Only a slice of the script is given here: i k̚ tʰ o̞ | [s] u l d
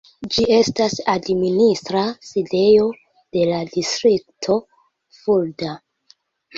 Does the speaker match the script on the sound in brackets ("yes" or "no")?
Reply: no